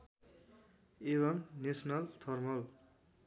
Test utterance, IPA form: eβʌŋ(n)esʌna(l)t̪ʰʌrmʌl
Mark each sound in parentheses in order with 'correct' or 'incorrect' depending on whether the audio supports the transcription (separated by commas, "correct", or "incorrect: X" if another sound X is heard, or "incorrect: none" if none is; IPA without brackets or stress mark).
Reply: correct, correct